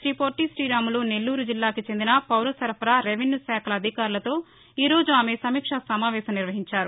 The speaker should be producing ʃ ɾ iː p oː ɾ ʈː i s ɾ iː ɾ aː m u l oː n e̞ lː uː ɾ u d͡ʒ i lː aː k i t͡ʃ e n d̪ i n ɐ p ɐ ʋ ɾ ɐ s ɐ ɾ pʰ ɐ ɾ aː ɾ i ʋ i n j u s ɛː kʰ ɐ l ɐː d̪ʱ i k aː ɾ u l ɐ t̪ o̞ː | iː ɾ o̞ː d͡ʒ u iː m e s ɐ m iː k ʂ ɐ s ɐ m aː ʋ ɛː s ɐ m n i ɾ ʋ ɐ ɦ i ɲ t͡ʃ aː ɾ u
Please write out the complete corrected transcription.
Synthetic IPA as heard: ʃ ɾ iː p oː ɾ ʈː i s ɾ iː ɾ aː m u l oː n e̞ lː uː ɾ u d͡ʒ i lː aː k i t͡ʃ e n d̪ i n ɐ p ɐ w ɾ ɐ s ɐ ɾ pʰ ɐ ɾ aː ɾ e ʋ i n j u s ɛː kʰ ɐ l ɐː d̪ʱ i k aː ɾ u l ɐ t̪ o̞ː | iː ɾ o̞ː d͡ʒ u aː m e s ɐ m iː k ʂ ɐ s ɐ m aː ʋ ɛː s ɐ m n i ɾ ʋ ɐ ɦ i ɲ t͡ʃ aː ɾ u

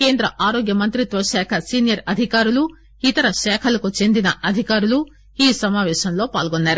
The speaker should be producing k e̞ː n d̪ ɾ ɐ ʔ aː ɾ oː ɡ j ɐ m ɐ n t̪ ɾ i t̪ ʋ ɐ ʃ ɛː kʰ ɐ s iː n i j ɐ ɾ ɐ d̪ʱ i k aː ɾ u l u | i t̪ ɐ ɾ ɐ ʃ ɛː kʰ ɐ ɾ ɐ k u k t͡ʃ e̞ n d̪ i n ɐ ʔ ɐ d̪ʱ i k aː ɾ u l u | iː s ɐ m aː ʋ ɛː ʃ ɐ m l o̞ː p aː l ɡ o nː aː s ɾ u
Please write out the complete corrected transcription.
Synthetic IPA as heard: k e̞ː n d̪ ɾ ɐ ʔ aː ɾ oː ɡ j ɐ m ɐ n t̪ ɾ i t̪ ʋ ɐ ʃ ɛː kʰ ɐ s iː n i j ɐ ɾ ɐ d̪ʱ i k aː ɾ u l u | i t̪ ɐ ɾ ɐ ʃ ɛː kʰ ɐ l ɐ k u t͡ʃ e̞ n d̪ i n ɐ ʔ ɐ d̪ʱ i k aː ɾ u l u | iː s ɐ m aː ʋ ɛː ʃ ɐ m l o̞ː p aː l ɡ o nː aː ɾ u

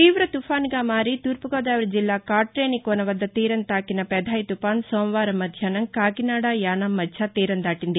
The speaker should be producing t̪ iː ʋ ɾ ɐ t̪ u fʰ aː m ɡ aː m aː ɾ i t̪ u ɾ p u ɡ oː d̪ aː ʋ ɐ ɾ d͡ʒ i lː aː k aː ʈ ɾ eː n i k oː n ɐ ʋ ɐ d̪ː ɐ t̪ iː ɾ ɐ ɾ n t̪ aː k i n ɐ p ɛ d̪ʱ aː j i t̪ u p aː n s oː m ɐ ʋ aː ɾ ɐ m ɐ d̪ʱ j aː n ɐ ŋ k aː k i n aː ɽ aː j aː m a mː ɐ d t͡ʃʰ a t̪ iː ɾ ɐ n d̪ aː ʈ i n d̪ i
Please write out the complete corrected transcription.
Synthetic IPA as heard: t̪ iː ʋ ɾ ɐ t̪ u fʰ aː n ɡ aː m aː ɾ i t̪ u ɾ p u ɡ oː d̪ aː ʋ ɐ ɾ d͡ʒ i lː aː k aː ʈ ɾ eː n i k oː n ɐ ʋ ɐ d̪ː ɐ t̪ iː ɾ ɐ n t̪ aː k i n ɐ p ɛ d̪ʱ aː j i t̪ u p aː n s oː m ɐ ʋ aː ɾ ɐ m ɐ d̪ʱ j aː n ɐ ŋ k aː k i n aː ɽ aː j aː n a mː ɐ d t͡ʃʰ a t̪ iː ɾ ɐ n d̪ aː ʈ i n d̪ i

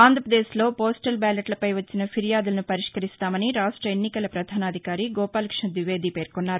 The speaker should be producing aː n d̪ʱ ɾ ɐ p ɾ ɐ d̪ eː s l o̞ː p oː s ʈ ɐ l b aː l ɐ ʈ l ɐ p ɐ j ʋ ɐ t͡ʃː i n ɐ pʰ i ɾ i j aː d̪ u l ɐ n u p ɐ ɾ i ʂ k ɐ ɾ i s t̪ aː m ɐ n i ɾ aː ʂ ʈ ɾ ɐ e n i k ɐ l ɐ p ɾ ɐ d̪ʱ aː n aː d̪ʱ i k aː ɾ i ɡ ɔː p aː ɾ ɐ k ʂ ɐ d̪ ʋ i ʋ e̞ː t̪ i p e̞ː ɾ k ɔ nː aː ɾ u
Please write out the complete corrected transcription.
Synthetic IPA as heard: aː n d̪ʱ ɾ ɐ p ɾ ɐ d̪ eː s l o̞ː p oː s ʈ ɐ l b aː l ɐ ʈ l ɐ p ɐ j ʋ ɐ t͡ʃː i n ɐ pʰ i ɾ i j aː d̪ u l ɐ n u p ɐ ɾ i ʂ k ɐ ɾ i s t̪ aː m ɐ n i ɾ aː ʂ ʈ ɾ ɐ e nː i k ɐ l ɐ p ɾ ɐ d̪ʱ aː n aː d̪ʱ i k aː ɾ i ɡ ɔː p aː l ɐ k ʂ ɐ d̪ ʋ i ʋ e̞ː d̪ i p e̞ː ɾ k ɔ nː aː ɾ u

